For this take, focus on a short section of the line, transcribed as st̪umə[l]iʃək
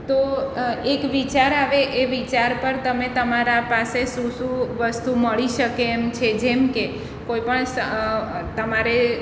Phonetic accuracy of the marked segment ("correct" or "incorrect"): incorrect